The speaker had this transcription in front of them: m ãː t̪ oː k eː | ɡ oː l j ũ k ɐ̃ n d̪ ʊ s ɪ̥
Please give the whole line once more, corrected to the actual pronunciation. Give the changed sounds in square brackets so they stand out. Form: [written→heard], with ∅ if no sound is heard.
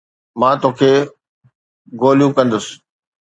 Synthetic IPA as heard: m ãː t̪ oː [k→kʰ] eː | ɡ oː l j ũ k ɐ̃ n d̪ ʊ s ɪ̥